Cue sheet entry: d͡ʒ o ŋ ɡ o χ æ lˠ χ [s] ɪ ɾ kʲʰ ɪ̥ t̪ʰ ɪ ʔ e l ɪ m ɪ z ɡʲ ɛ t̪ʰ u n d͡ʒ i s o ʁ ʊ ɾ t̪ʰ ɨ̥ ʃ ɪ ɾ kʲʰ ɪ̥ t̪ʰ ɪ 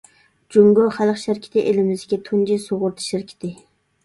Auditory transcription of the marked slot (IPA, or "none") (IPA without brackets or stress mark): ʃ